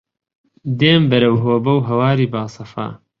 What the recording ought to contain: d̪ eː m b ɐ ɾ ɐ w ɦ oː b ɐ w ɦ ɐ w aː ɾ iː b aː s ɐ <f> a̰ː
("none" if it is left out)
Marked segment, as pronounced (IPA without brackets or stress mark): f